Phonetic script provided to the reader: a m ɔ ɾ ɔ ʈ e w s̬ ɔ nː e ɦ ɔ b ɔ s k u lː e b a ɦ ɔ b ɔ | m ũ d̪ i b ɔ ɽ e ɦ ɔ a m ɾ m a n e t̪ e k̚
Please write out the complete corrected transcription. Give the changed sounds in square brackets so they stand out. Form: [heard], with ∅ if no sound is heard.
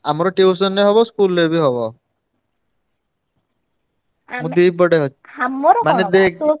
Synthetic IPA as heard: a m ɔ ɾ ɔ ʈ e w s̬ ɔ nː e ɦ ɔ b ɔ s k u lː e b [i] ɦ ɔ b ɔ | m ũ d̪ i b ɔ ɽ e ɦ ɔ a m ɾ m a n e [d̪] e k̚